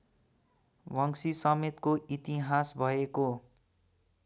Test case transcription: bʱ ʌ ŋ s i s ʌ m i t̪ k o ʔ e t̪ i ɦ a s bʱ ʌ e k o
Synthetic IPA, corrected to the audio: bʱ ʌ ŋ s i s ʌ m e t̪ k o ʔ i t̪ i ɦ a s bʱ ʌ e k o